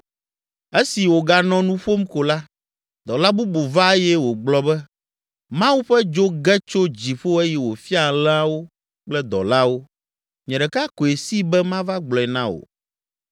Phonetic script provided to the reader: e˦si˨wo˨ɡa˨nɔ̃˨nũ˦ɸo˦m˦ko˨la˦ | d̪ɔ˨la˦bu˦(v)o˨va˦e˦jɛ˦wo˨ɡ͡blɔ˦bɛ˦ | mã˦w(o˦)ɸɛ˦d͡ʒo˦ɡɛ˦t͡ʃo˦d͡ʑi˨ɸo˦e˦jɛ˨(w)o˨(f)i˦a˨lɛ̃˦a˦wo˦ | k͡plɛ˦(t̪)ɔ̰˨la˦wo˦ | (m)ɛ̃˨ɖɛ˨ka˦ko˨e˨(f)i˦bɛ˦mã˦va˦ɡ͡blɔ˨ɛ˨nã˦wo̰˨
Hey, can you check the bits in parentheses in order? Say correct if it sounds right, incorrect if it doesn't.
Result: incorrect: b, incorrect: u˦, correct, correct, incorrect: d̪, incorrect: ɲ, incorrect: s

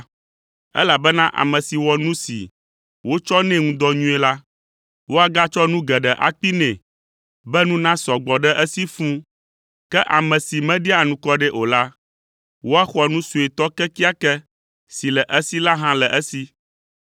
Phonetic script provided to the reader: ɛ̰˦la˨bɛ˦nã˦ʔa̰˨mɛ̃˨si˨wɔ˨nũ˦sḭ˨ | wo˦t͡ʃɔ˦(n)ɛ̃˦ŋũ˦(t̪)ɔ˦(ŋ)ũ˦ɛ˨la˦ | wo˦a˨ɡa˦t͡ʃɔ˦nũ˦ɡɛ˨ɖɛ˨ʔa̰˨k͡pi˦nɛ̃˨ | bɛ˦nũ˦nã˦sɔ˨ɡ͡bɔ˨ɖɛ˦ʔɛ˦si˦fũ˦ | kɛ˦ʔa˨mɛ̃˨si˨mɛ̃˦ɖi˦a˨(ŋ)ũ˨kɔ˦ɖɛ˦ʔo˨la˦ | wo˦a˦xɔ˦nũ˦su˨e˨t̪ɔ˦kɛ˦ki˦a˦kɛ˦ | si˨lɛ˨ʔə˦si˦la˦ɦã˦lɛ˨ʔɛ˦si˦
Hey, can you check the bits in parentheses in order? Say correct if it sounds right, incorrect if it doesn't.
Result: correct, incorrect: d̪, incorrect: ɲ, incorrect: n

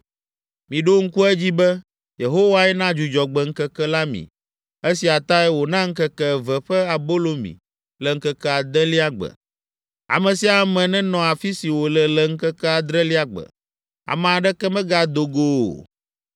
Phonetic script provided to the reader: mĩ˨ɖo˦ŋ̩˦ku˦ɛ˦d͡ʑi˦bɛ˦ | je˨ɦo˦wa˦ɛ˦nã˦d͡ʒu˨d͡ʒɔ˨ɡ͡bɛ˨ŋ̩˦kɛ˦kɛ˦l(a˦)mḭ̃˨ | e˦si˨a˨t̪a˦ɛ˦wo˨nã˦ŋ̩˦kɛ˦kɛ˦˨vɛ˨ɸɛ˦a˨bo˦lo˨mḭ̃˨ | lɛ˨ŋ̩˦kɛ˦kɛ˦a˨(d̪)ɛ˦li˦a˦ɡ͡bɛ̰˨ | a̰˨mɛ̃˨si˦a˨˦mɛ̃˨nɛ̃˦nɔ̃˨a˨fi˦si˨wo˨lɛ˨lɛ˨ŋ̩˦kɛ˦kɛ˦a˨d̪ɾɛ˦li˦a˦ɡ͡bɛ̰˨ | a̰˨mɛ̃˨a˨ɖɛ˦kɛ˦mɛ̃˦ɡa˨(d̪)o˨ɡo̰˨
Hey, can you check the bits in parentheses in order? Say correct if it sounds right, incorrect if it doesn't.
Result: correct, correct, correct

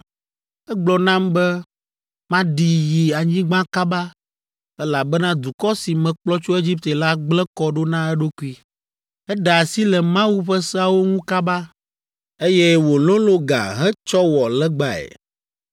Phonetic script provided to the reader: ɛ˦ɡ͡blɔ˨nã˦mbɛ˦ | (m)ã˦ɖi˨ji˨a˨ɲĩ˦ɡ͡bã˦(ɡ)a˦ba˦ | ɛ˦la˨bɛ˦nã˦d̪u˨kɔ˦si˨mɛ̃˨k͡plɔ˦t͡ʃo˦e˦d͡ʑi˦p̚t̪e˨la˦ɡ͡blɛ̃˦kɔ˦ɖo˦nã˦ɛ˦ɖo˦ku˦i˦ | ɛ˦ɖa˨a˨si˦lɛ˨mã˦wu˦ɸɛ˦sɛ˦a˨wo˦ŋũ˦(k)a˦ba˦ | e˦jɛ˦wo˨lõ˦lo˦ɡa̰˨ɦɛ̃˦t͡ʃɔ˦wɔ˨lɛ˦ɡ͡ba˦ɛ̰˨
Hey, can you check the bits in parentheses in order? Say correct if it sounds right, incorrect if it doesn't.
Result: correct, incorrect: k, correct

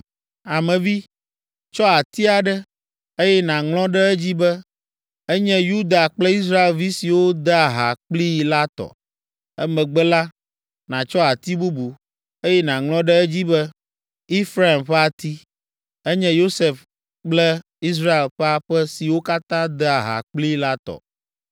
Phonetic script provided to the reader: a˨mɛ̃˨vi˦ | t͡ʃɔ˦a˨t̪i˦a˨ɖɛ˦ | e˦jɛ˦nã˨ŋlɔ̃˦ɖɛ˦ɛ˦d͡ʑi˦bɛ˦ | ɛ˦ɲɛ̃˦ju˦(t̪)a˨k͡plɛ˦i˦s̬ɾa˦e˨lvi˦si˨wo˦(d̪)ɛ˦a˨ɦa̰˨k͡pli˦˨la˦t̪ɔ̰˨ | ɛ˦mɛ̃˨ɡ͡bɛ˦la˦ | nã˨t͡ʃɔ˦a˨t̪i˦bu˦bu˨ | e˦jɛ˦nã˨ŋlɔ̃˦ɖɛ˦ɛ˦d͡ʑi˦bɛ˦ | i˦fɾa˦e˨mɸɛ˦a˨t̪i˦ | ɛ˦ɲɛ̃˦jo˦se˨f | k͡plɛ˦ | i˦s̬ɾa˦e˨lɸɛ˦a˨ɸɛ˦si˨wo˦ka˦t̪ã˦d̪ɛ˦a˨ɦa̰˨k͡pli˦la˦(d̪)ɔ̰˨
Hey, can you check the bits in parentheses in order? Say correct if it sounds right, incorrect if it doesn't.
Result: incorrect: d̪, correct, incorrect: t̪

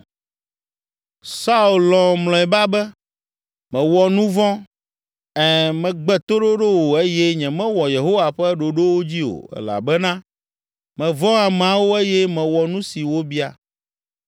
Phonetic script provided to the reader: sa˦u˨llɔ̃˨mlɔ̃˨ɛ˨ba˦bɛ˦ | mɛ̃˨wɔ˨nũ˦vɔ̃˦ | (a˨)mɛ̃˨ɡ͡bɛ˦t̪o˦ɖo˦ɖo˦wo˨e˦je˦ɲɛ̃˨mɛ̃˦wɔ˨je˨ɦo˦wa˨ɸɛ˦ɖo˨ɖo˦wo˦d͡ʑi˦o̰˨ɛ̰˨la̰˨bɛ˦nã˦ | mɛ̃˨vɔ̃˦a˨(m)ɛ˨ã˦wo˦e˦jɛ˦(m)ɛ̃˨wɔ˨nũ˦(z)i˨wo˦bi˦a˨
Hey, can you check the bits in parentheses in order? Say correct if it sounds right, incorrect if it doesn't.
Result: incorrect: ɛ˨, correct, correct, incorrect: s

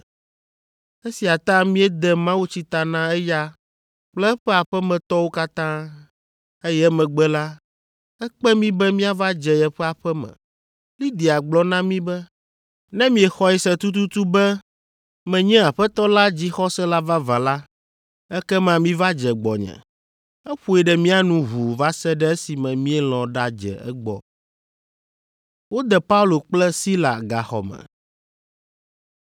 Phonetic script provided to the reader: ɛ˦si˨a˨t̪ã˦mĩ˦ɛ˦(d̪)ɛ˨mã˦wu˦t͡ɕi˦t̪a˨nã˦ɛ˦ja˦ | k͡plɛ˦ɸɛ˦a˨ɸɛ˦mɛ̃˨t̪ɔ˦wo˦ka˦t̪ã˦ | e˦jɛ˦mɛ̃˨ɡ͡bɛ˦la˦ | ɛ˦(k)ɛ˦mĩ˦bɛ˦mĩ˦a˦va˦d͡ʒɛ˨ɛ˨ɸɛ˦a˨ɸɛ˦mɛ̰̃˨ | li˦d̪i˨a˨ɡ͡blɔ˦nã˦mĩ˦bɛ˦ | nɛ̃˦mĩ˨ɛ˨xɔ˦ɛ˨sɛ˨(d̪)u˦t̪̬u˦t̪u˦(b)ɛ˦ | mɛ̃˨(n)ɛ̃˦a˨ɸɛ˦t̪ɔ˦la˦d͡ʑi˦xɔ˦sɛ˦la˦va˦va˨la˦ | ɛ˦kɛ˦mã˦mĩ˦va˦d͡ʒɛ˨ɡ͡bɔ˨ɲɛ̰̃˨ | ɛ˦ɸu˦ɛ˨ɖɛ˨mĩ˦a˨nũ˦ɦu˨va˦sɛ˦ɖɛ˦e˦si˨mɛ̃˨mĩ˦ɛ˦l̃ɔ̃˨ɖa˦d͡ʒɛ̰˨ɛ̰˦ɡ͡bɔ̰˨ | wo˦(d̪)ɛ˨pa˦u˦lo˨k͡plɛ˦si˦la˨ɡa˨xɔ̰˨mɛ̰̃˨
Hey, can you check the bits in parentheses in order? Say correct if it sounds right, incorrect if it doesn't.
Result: correct, incorrect: k͡p, incorrect: t̪, correct, incorrect: ɲ, correct

